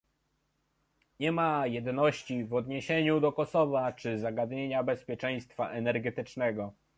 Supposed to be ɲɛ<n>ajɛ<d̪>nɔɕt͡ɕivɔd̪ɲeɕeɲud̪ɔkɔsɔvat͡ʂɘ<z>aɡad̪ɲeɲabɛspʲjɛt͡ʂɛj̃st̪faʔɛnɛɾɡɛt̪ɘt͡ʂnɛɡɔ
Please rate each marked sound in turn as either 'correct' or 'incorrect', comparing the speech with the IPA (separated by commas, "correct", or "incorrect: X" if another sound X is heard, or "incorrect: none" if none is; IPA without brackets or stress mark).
incorrect: m, correct, correct